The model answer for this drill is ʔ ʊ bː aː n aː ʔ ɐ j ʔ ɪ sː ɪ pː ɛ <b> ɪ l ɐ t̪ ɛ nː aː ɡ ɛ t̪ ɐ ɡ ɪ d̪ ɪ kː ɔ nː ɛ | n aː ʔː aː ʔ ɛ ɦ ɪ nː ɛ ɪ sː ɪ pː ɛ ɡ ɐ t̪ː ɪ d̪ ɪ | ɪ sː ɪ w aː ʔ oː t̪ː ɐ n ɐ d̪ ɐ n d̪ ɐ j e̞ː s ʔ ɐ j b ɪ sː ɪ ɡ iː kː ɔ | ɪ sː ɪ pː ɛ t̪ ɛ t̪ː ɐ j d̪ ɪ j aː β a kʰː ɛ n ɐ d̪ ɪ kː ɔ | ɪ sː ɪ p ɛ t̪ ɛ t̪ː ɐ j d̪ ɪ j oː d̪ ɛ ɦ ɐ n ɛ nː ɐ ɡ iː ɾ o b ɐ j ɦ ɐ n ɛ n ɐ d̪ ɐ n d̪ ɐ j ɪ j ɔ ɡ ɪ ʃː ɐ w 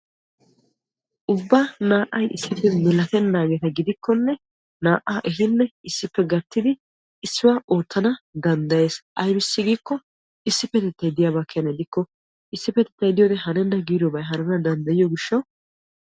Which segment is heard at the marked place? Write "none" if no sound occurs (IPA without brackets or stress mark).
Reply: m